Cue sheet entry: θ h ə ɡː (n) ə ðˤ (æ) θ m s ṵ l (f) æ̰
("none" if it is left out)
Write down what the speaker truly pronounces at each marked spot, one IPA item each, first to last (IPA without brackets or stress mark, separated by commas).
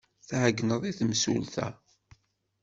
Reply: n, i, θ